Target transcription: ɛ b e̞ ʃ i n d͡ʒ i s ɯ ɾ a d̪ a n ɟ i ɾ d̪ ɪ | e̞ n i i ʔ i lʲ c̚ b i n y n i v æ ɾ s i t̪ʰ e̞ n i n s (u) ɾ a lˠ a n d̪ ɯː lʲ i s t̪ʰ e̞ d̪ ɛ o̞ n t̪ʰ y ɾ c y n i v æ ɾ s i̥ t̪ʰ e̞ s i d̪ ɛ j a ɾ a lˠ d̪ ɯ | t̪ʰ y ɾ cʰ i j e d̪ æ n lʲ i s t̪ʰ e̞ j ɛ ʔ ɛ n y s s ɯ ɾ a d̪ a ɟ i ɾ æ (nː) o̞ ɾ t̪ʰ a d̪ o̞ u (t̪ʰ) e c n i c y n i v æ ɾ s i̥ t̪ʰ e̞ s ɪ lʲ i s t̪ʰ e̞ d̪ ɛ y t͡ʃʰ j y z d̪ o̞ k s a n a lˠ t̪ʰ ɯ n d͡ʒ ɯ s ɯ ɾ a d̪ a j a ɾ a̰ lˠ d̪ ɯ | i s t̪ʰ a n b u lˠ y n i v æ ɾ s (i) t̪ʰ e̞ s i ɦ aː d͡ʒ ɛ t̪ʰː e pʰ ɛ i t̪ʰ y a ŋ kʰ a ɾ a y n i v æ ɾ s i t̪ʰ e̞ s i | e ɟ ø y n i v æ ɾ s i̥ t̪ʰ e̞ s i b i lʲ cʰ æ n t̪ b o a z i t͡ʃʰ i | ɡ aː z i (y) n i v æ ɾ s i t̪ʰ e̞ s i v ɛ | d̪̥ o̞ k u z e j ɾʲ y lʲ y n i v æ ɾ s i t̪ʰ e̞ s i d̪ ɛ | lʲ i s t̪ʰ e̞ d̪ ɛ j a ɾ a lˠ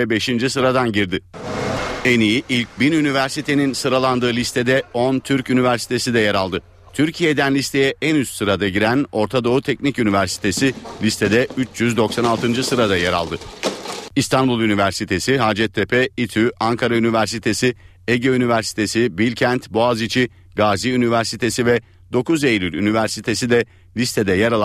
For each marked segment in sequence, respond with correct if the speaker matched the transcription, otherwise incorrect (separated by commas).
incorrect, incorrect, correct, correct, correct